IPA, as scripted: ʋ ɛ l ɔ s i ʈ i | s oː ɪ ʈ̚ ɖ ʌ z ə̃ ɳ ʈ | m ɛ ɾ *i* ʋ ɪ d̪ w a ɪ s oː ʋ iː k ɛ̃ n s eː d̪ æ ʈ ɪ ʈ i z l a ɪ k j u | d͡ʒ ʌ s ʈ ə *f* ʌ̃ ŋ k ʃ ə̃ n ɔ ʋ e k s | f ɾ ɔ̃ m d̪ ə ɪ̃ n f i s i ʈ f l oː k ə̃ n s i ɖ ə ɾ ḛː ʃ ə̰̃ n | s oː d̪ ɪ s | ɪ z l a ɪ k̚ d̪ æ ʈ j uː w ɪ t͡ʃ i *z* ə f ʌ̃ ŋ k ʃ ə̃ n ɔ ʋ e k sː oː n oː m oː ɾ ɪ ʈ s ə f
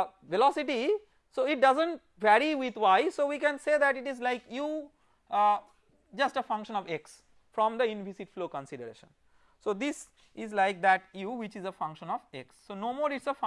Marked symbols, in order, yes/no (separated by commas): yes, yes, yes